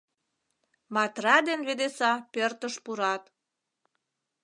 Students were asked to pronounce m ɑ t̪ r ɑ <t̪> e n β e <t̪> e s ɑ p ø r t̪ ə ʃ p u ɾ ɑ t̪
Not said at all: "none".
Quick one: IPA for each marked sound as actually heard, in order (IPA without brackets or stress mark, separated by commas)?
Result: d̪, d̪